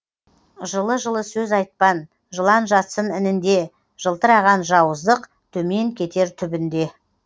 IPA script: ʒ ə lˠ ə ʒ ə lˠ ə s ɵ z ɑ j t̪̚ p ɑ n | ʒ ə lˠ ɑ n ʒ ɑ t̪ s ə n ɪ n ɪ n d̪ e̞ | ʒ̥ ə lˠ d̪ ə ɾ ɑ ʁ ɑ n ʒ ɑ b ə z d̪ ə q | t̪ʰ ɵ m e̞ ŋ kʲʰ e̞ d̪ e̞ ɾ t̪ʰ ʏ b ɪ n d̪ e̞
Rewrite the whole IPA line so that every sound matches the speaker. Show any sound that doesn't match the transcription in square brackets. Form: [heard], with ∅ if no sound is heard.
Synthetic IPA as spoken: ʒ ə lˠ ə ʒ ə lˠ ə s ɵ z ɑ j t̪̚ p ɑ n | ʒ ə lˠ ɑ n ʒ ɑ t̪ s ə n ɪ n ɪ n d̪ e̞ | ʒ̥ ə lˠ [t̪] ə ɾ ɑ ʁ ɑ n ʒ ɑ [w] ə z d̪ ə q | t̪ʰ ɵ m e̞ ŋ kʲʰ e̞ [t̪] e̞ ɾ t̪ʰ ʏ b ɪ n d̪ e̞